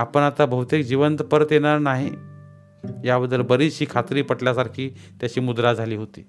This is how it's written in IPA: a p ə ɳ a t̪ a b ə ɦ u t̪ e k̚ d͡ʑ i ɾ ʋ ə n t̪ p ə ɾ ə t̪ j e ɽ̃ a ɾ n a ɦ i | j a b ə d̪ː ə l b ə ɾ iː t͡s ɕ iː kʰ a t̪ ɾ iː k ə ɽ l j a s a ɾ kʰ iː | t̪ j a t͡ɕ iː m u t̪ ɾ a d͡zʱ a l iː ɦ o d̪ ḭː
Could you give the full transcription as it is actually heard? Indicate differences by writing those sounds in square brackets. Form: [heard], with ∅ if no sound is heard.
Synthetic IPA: a p ə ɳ a t̪ a b ə ɦ u t̪ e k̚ d͡ʑ i [∅] ʋ ə n t̪ p ə ɾ ə t̪ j e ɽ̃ a ɾ n a ɦ i | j a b ə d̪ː ə l b ə ɾ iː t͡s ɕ iː kʰ a t̪ ɾ iː [p] ə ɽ l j a s a ɾ kʰ iː | t̪ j a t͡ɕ iː m u [d̪] ɾ a d͡zʱ a l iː ɦ o [t̪] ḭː